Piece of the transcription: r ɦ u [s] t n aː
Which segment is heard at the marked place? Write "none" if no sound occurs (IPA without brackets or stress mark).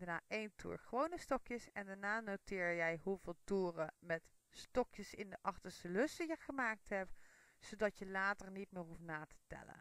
f